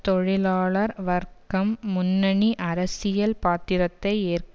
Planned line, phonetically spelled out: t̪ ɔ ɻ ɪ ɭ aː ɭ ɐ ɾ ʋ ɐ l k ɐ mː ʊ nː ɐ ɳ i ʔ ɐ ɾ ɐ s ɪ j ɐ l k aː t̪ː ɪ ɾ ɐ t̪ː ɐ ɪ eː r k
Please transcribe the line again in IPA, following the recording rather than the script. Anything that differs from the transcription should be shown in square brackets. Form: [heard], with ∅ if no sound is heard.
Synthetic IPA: t̪ ɔ ɻ ɪ [l] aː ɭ ɐ ɾ ʋ ɐ [ɾ] k ɐ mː ʊ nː ɐ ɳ i ʔ ɐ ɾ ɐ s ɪ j ɐ l [p] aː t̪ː ɪ ɾ ɐ t̪ː ɐ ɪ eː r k